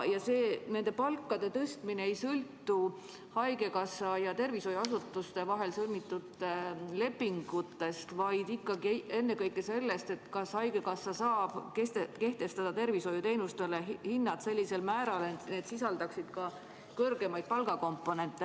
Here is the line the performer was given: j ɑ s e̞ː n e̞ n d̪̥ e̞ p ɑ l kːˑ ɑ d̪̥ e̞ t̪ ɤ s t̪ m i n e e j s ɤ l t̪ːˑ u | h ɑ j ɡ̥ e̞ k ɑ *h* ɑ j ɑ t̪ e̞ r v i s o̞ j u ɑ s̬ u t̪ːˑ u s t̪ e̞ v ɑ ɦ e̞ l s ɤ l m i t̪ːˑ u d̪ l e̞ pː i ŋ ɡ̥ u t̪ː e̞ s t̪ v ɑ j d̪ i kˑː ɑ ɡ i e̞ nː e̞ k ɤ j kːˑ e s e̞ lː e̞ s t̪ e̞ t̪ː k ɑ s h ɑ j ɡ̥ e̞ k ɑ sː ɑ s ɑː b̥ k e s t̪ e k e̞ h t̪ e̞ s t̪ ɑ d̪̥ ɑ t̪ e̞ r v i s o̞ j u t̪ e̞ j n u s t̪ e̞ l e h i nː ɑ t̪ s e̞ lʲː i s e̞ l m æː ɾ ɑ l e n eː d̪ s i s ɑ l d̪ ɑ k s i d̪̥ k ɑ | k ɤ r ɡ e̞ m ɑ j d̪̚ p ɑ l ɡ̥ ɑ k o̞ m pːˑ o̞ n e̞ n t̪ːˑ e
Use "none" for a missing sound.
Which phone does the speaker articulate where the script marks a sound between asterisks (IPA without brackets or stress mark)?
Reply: s